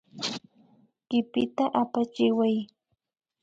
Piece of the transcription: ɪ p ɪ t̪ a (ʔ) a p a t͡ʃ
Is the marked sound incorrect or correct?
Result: correct